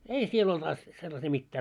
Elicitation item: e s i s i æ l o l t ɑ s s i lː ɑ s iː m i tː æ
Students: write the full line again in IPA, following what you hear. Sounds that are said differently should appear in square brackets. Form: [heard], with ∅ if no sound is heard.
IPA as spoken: e [∅] i s i [e] l o l t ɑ s s [e] lː ɑ s iː m i tː [æː]